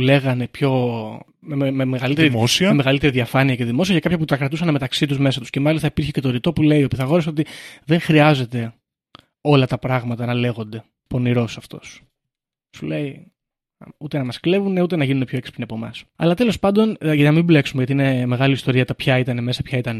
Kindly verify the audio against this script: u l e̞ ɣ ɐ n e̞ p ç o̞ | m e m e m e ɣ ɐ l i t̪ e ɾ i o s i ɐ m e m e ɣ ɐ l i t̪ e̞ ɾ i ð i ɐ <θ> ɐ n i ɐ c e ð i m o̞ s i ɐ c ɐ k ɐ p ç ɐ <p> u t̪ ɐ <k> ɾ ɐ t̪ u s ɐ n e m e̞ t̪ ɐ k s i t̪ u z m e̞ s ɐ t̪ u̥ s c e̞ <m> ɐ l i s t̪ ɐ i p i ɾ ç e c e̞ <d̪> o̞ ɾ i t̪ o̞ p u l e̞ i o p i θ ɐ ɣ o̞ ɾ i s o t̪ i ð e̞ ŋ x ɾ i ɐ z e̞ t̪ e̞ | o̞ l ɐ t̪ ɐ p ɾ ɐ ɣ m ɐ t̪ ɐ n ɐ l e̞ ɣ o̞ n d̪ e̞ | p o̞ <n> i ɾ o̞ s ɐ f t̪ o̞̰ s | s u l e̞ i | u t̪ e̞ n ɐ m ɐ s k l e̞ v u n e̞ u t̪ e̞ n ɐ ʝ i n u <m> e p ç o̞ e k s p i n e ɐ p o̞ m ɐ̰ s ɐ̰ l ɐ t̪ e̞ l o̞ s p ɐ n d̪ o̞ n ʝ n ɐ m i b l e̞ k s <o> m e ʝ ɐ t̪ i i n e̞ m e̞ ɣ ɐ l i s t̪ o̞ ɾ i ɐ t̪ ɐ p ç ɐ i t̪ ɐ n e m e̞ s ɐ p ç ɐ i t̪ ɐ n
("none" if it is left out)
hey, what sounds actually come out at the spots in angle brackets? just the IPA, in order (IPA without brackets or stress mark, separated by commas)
f, p, k, m, t̪, n, n, u